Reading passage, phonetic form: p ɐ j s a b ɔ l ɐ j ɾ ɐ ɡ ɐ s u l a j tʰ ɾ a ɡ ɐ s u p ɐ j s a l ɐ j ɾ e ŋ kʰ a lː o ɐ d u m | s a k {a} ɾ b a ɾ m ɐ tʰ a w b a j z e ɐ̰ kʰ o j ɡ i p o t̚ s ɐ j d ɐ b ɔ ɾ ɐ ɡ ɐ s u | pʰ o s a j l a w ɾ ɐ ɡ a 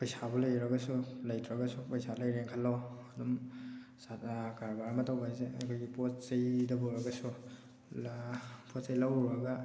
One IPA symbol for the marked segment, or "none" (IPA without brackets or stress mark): a